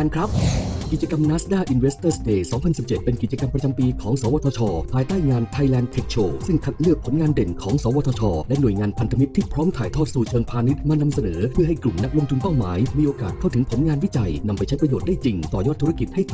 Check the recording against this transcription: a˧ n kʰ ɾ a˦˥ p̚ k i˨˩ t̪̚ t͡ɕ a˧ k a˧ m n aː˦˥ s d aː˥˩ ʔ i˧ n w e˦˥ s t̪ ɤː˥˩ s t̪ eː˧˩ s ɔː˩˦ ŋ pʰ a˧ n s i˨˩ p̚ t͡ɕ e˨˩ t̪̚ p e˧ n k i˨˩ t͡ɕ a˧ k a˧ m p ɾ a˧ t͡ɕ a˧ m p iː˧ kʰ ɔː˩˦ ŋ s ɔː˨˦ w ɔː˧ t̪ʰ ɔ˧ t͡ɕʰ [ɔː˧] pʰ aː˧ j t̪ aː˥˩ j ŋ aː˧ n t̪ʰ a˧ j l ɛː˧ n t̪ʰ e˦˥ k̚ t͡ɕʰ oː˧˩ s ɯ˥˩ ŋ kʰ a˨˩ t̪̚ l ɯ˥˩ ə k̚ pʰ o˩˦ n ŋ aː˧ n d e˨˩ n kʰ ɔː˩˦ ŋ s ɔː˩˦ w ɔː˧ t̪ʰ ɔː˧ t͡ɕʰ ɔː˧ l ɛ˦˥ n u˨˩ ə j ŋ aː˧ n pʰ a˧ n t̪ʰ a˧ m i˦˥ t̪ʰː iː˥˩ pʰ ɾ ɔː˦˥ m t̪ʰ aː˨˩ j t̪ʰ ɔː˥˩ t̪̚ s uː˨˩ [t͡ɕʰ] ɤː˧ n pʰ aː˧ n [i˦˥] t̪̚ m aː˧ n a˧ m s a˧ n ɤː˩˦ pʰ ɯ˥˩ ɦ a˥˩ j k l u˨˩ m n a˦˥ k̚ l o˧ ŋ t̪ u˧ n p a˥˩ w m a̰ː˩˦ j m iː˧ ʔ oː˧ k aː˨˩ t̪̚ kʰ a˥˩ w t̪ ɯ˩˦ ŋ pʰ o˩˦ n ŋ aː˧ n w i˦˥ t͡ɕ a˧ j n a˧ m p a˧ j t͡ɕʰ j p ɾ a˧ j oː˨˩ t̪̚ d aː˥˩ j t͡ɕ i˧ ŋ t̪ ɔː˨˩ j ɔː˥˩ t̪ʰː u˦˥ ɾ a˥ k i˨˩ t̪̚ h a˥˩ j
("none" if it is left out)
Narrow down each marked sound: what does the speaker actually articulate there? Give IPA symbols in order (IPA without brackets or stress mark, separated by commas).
ɔː˧, t͡ɕʰ, i˦˥